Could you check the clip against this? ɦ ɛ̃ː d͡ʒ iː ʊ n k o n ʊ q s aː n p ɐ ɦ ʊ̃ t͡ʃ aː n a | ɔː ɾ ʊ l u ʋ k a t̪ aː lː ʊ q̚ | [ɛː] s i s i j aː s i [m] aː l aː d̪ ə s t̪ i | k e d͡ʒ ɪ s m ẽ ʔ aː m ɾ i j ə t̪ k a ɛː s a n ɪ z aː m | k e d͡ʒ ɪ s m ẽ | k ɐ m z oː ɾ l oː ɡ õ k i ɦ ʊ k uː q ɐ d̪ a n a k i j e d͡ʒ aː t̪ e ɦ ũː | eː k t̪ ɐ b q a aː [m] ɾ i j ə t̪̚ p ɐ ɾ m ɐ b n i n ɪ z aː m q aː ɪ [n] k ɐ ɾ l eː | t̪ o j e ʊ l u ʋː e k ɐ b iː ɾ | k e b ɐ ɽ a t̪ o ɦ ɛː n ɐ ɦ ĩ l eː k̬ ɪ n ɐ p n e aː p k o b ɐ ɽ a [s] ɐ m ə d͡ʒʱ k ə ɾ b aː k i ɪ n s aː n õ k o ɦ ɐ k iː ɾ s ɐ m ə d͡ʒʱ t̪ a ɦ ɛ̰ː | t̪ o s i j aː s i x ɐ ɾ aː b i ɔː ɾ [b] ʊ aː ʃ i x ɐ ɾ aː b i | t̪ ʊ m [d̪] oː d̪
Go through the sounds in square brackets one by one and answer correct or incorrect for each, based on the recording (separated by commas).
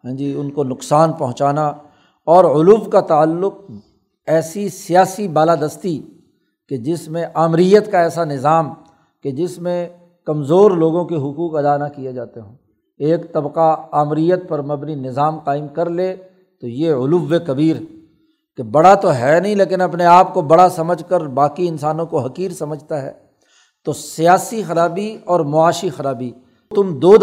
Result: correct, incorrect, correct, incorrect, correct, incorrect, correct